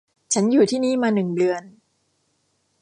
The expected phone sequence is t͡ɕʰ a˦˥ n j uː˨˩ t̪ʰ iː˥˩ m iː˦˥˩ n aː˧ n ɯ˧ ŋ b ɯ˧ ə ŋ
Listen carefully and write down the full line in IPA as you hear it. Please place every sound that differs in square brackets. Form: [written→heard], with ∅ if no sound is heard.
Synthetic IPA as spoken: t͡ɕʰ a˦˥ n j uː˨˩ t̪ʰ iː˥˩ [m→n] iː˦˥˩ [n→m] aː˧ n [ɯ˧→ɯ˨˩] ŋ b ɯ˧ ə [ŋ→n]